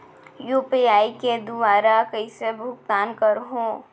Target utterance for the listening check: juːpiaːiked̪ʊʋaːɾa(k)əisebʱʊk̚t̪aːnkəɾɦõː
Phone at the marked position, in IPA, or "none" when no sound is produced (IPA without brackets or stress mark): k